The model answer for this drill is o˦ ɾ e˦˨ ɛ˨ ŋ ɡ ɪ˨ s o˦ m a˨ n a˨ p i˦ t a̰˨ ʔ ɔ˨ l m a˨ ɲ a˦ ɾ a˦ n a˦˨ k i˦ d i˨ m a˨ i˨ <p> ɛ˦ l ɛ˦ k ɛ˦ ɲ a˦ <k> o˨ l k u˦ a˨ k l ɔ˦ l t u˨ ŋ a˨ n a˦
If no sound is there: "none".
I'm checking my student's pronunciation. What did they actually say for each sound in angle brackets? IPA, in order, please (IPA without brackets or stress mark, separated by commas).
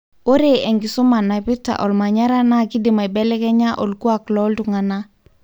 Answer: b, ʔ